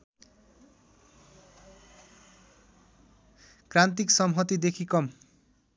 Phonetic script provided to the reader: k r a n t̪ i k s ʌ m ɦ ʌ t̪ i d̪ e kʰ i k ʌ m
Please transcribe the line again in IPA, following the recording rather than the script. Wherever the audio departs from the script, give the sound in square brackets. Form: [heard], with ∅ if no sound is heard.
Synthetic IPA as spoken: k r a n t̪ i k s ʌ m ɦ ʌ t̪ i d̪ e kʰ i k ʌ m